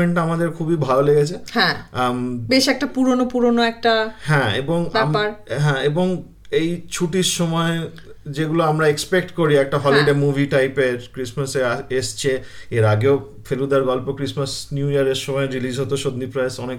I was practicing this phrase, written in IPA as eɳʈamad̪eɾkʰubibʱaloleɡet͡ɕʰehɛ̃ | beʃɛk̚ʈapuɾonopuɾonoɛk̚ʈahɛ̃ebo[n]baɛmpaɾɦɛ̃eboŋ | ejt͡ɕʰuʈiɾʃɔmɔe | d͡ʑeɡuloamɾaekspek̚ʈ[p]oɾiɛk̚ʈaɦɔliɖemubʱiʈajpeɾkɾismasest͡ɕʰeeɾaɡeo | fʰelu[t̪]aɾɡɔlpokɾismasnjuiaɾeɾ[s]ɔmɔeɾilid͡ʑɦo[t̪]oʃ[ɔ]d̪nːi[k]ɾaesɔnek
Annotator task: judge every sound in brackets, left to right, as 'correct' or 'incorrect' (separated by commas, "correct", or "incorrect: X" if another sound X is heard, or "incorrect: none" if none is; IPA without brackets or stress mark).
incorrect: ŋ, incorrect: k, incorrect: d̪, incorrect: ʃ, correct, incorrect: o, incorrect: p